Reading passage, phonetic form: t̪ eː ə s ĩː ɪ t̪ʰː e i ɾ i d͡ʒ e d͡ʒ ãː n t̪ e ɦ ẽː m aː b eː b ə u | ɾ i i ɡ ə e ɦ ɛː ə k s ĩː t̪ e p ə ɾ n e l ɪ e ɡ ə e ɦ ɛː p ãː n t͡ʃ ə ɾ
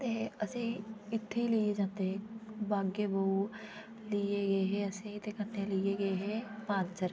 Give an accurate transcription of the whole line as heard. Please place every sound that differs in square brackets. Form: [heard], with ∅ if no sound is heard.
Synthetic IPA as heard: t̪ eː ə s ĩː ɪ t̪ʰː e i [l] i [∅] e d͡ʒ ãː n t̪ e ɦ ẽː [b] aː [ɡ] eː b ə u | [l] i [e] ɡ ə e ɦ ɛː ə [∅] s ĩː t̪ e [k] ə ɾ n e l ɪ e ɡ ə e ɦ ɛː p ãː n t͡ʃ ə ɾ